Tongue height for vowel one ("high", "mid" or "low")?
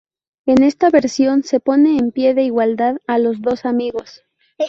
mid